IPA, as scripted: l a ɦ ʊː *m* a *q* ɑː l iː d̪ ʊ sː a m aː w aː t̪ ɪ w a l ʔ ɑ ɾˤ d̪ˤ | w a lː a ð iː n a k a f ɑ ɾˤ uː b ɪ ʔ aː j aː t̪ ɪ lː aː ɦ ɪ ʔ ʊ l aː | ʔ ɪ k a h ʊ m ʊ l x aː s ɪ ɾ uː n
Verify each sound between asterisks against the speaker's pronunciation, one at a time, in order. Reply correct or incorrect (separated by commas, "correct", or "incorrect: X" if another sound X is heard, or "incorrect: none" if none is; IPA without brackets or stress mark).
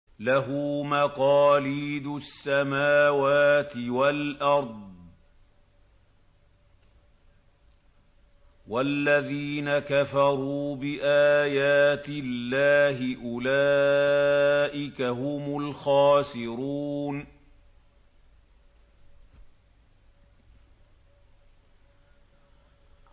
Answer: correct, correct